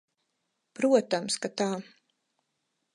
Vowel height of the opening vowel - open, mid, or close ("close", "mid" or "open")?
close